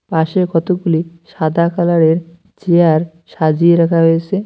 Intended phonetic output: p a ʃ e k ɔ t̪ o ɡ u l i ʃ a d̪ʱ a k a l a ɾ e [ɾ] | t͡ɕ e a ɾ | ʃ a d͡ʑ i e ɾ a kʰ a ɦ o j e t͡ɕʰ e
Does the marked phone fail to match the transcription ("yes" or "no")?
no